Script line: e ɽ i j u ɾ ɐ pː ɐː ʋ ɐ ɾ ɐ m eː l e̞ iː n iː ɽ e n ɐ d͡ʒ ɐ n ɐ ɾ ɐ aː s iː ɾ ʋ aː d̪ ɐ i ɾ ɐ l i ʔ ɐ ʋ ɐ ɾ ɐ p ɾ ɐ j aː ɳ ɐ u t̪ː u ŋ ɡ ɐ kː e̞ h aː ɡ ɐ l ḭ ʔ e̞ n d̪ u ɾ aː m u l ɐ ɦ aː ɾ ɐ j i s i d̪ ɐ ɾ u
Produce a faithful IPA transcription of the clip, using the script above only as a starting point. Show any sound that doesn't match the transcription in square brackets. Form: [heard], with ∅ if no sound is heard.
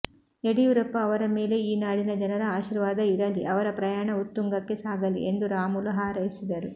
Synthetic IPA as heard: e ɽ i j u ɾ ɐ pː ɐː ʋ ɐ ɾ ɐ m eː l e̞ iː n [aː] ɽ [i] n ɐ d͡ʒ ɐ n ɐ ɾ ɐ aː [ʃ] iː ɾ ʋ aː d̪ ɐ i ɾ ɐ l i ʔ ɐ ʋ ɐ ɾ ɐ p ɾ ɐ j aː ɳ ɐ u t̪ː u ŋ ɡ ɐ kː e̞ [s] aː ɡ ɐ l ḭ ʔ e̞ n d̪ u ɾ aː m u l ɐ ɦ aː ɾ ɐ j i s i d̪ ɐ ɾ u